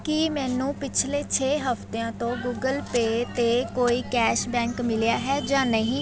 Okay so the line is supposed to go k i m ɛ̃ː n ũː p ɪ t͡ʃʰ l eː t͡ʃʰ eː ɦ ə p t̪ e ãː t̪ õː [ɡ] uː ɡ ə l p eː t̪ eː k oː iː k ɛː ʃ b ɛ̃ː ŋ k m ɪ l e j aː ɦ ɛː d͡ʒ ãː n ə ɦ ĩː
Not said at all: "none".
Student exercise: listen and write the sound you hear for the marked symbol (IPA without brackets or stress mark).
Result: ɡ